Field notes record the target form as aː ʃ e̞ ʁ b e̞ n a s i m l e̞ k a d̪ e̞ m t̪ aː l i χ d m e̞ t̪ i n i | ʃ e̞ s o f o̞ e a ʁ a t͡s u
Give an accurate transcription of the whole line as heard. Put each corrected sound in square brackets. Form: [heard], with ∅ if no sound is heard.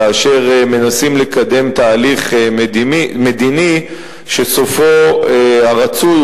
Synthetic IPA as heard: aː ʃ e̞ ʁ [m] e̞ n a s i m l e̞ k a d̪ e̞ m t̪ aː l i χ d m e̞ [d̪] i n i | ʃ e̞ s o f o̞ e a ʁ a t͡s u

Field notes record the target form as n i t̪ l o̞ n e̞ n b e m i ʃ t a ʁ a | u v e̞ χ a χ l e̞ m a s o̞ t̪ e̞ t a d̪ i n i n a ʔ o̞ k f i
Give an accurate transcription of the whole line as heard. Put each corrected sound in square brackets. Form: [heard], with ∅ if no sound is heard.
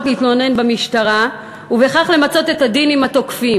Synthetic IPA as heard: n i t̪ l o̞ n e̞ n b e m i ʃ t a ʁ a | u v e̞ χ a χ l e̞ m a [t͡s] o̞ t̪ e̞ t a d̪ i n i [m] a [t] o̞ k f i

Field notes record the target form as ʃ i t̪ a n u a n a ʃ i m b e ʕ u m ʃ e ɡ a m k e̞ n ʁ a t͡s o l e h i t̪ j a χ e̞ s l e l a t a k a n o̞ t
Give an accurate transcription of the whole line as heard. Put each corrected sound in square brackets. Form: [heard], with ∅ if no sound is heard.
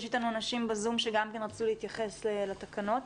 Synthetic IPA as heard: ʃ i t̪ a n u a n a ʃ i m b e [z] u m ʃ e ɡ a m k e̞ n ʁ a t͡s [u] l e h i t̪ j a χ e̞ s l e l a t a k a n o̞ t

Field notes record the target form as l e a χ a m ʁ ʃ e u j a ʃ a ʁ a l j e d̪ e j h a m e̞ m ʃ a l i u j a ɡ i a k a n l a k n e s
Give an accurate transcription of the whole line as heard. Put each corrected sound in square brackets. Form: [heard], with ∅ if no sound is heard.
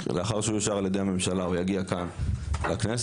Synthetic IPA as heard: l e a χ a [∅] ʁ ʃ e u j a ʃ a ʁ a l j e d̪ e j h a m e̞ m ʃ a l [a] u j a ɡ i a k a n l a k n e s

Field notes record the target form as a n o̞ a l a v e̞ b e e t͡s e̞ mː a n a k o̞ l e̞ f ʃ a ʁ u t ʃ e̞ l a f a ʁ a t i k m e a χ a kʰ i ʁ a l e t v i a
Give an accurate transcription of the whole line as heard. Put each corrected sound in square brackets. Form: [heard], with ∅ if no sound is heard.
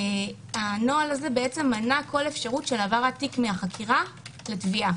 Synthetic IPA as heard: a n o̞ a l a [z] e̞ b e e t͡s e̞ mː a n a k o̞ l e̞ f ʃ a ʁ u t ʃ e̞ l a [v] a ʁ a t i k m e a χ a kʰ i ʁ a l e t v i a

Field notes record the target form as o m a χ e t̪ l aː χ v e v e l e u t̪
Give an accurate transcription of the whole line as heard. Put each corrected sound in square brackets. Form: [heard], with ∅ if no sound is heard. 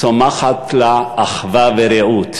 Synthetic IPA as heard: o m a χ [a] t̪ l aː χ v [a] v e [ɾ] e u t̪

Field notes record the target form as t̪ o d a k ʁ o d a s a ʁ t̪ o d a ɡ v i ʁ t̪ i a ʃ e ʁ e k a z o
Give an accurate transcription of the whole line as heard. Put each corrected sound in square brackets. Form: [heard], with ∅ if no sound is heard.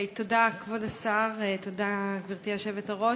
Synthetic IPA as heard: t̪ o d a k [v] o d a s a ʁ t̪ o d a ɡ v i ʁ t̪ i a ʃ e [v] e [t] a [ʁ] o

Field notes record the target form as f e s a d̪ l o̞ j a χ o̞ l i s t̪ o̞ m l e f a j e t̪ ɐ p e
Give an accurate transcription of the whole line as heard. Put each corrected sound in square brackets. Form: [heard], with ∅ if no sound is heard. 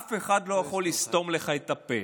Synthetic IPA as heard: f e [χ] a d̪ l o̞ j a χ o̞ l i s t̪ o̞ m l e [χ] a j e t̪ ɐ p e

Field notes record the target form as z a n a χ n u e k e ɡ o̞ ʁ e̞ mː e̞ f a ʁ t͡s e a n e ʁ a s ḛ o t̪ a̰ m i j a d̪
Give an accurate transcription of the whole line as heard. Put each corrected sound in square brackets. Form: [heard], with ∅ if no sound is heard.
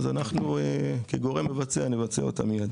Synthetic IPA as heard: z a n a χ n u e k e ɡ o̞ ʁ e̞ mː e̞ [v] a [∅] t͡s e a n e [v] a [t͡s] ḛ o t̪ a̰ m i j a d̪

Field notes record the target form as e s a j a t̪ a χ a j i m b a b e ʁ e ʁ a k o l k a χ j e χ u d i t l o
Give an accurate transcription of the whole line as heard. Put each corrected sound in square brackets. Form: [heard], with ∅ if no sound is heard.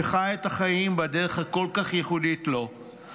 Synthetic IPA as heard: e [χ] a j [e] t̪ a χ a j i m b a [d] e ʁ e [χ] a k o l k a χ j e χ u d i t l o

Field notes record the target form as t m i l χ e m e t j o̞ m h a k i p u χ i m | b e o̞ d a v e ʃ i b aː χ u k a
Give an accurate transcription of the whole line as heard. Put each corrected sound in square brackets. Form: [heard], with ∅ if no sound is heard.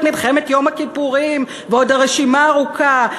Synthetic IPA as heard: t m i l χ e m e t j o̞ m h a k i p u [ʁ] i m | [v] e o̞ d a [ʁ] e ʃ i [m] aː [ʁ] u k a

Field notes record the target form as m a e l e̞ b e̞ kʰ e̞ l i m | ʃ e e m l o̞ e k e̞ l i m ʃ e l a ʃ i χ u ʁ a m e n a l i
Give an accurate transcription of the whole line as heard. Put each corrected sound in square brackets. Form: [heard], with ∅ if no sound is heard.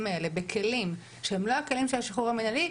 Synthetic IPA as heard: m a e l e̞ b e̞ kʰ e̞ l i m | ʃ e e m l o̞ [a] k e̞ l i m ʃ e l a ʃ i χ u ʁ a m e n a l i

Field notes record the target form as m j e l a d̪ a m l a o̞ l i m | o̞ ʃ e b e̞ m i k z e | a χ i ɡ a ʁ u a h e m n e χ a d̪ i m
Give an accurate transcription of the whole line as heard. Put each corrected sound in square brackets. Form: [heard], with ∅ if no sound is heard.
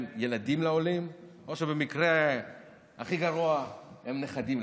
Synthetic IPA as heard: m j e l a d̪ [i] m l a o̞ l i m | o̞ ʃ e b e̞ m i k [ʁ] e | a χ i ɡ a ʁ u a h e m n e χ a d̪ i m

